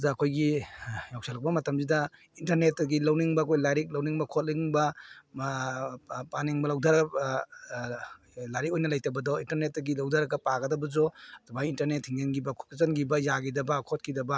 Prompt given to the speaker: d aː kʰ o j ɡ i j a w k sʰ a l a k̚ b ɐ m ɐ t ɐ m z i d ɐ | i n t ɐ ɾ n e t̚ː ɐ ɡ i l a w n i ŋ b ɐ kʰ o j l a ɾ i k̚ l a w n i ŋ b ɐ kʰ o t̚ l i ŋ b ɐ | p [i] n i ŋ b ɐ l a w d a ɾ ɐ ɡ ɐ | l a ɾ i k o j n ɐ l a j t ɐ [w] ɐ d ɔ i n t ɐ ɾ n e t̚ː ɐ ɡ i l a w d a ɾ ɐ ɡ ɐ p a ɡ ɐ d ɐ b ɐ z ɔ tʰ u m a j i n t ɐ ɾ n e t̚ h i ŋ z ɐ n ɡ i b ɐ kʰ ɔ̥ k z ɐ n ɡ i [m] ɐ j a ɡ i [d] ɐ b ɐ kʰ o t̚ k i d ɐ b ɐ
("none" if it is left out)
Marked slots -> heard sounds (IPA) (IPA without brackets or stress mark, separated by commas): a, b, b, d